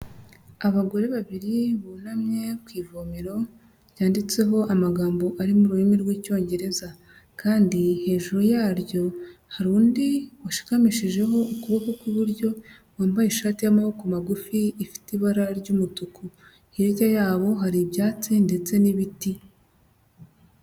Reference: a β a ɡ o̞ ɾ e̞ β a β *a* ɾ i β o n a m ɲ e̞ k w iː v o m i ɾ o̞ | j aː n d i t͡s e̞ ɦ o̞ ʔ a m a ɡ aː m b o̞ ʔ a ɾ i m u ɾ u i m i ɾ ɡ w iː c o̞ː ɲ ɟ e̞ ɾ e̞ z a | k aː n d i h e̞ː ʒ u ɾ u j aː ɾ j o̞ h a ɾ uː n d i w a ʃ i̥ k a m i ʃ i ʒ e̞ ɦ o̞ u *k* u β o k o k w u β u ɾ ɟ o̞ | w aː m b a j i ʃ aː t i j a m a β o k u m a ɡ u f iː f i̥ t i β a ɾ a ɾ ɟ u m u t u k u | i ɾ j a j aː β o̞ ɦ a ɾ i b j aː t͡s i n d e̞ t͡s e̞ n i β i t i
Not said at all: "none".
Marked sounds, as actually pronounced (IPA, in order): i, k

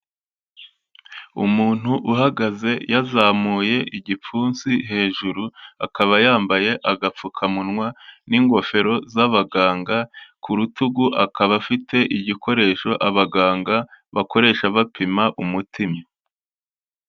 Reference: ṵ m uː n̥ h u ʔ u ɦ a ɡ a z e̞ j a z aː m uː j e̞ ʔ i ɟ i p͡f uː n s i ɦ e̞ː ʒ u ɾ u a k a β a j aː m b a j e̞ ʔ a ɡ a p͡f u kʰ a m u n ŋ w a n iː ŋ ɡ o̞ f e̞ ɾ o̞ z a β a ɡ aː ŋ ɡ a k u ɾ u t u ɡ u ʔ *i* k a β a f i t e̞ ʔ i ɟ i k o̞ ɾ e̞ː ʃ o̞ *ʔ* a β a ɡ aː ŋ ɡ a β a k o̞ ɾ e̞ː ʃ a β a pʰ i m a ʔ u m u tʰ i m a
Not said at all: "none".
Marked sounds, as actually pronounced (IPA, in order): a, ʔ

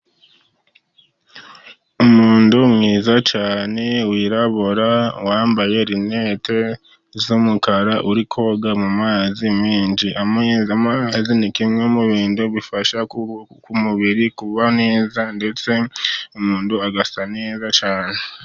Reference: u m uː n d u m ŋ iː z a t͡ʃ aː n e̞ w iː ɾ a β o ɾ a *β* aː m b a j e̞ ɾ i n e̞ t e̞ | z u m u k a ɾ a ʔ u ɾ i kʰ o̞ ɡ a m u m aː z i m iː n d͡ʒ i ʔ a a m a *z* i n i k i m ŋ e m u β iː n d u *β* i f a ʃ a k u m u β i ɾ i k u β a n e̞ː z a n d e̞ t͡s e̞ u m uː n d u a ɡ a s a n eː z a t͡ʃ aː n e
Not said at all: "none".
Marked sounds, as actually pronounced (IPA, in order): w, z, β

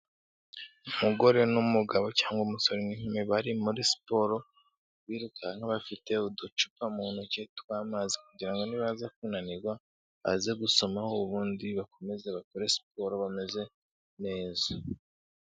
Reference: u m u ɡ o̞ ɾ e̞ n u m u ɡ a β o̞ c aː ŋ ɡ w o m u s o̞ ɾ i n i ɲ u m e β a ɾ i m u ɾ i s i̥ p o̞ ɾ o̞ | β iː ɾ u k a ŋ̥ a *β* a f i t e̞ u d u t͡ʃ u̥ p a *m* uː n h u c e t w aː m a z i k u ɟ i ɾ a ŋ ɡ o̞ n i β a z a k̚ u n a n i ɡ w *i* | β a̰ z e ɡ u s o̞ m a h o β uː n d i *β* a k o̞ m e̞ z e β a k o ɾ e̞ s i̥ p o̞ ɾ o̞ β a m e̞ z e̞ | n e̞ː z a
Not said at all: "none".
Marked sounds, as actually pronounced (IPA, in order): β, m, a, β

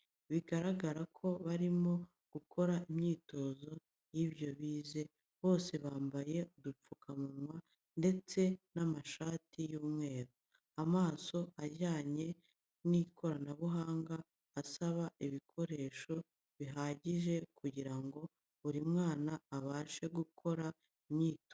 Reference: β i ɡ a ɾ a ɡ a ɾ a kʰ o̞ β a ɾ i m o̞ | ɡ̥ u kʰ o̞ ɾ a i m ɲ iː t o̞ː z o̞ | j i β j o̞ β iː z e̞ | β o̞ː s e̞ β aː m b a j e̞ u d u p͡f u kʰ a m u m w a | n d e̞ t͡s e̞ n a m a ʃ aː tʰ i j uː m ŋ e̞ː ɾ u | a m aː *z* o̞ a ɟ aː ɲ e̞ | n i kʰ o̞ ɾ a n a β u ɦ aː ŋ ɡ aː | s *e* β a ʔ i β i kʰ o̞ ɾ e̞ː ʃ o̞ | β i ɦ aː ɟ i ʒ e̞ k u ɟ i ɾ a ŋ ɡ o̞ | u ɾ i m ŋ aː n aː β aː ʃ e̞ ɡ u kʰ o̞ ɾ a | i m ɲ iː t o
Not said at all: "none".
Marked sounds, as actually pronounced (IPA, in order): s, a

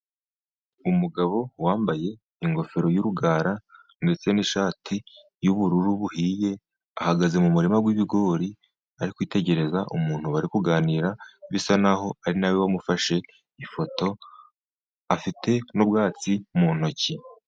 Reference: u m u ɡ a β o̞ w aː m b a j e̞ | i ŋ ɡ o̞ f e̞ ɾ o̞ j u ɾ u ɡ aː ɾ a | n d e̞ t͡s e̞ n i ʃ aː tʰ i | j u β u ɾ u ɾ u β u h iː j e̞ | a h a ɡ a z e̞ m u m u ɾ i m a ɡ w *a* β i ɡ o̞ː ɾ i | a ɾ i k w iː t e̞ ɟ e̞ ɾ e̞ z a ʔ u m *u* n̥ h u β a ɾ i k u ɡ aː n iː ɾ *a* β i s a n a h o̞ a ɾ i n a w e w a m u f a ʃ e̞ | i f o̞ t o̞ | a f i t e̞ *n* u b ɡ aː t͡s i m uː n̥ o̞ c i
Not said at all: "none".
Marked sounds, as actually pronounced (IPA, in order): i, uː, a, n

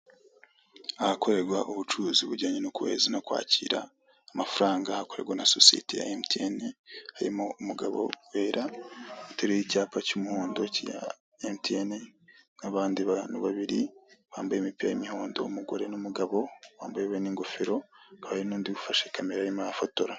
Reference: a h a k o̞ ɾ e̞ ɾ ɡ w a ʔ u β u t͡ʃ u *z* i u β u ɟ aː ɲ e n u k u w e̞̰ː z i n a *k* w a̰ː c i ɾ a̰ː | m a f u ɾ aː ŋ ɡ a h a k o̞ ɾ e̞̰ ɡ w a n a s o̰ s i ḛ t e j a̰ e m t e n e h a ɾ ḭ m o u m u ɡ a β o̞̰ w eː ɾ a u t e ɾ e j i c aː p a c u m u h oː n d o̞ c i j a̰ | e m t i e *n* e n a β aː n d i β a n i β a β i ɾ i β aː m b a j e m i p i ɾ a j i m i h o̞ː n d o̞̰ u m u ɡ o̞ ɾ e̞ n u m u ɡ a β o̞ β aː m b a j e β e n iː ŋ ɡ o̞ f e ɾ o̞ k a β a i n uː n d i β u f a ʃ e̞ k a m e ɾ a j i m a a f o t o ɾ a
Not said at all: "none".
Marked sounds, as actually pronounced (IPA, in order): z, k, n

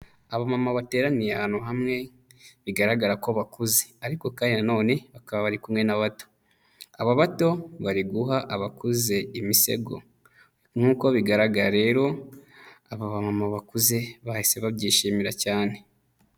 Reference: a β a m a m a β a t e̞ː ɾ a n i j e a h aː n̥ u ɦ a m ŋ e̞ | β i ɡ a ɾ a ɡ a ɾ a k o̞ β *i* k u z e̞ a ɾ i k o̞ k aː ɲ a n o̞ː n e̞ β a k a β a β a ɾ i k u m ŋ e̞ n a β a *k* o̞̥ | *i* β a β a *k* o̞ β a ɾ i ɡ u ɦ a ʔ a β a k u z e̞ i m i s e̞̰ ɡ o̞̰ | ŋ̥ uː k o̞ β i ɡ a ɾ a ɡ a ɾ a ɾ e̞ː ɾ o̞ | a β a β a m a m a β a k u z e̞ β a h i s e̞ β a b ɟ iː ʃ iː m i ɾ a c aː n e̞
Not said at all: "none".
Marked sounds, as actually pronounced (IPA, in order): a, t, a, t

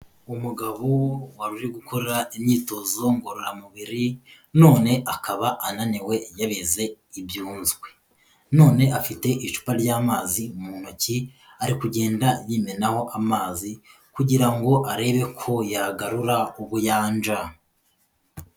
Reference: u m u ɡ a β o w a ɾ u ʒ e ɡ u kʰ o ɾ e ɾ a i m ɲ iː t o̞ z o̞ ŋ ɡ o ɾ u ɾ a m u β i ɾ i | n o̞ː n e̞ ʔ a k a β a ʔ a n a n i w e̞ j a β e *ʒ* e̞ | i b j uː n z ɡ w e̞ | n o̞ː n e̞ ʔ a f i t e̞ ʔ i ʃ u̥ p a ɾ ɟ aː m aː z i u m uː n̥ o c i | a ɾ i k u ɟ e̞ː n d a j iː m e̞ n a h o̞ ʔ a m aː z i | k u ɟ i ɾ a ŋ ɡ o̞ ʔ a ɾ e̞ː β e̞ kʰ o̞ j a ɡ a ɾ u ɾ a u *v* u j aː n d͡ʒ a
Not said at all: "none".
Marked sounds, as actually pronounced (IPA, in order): z, β

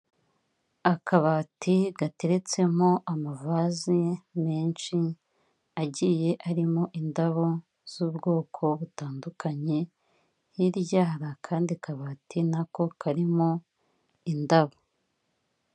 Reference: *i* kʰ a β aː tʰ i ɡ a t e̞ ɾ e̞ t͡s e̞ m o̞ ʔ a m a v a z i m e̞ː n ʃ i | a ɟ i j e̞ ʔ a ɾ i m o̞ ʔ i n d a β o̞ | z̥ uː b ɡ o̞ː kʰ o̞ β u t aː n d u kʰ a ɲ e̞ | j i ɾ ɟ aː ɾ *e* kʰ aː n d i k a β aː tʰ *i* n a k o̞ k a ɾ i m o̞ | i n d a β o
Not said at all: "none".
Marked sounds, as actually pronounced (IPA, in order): a, a, i

